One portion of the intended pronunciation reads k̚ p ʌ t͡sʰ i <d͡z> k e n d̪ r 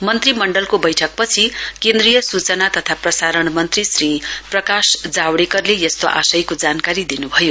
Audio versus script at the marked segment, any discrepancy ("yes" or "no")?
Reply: yes